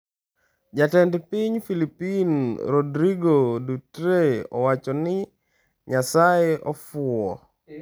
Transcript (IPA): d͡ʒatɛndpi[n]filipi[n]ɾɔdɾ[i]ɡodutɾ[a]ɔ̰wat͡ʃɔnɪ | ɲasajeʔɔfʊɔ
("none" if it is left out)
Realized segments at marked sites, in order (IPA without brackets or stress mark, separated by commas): ɲ, n, i, e